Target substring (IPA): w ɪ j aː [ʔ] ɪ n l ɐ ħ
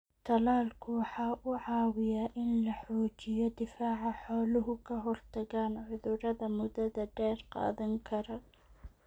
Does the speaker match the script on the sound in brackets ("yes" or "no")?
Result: yes